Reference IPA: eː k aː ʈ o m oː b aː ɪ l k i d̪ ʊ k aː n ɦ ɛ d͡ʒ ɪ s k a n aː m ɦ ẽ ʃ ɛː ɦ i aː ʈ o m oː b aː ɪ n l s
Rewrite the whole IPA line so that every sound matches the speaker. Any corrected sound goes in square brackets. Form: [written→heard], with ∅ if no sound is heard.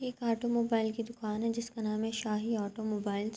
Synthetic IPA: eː k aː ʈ o m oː b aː ɪ l k i d̪ ʊ k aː n ɦ ɛ d͡ʒ ɪ s k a n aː m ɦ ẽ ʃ [ɛː→aː] ɦ i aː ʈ o m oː b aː ɪ [n→∅] l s